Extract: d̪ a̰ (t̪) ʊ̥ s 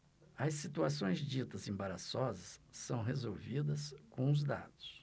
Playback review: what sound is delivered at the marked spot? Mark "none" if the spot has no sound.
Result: d̪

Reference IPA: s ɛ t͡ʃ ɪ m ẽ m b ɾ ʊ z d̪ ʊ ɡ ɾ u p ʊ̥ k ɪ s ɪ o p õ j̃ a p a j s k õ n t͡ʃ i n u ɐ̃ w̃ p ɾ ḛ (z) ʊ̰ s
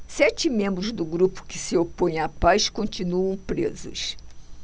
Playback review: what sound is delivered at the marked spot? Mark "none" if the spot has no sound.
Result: z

